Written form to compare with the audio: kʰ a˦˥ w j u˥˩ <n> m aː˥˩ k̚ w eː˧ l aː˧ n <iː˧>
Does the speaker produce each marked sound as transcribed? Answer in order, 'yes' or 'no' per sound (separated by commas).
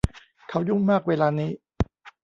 no, no